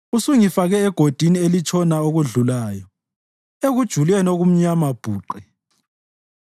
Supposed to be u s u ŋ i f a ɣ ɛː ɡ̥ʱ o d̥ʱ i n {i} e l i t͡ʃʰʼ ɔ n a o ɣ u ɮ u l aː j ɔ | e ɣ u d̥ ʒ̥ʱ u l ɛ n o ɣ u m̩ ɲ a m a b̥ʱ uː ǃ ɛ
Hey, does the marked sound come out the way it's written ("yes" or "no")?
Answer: yes